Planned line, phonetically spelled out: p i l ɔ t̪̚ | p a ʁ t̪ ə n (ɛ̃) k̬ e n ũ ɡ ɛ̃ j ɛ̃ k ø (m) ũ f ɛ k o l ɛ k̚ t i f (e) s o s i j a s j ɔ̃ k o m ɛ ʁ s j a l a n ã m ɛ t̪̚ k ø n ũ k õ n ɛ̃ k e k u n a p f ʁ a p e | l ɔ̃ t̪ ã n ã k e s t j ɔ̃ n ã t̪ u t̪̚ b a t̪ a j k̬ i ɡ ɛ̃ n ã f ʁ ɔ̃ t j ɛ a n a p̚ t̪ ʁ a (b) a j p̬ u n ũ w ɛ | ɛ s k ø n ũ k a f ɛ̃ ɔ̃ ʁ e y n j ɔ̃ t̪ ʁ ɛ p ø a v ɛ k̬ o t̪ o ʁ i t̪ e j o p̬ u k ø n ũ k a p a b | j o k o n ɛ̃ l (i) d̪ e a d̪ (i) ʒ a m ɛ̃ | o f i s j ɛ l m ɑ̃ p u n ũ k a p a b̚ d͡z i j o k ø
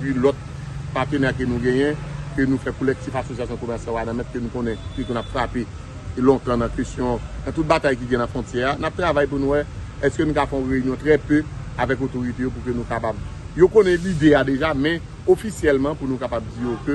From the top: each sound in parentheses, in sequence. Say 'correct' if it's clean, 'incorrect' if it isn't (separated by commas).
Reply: incorrect, incorrect, incorrect, incorrect, correct, incorrect